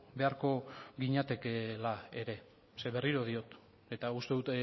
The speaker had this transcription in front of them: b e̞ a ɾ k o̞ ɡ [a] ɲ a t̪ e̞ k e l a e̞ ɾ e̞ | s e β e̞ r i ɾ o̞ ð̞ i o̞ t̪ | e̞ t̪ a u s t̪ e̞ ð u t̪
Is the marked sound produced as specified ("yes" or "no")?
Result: no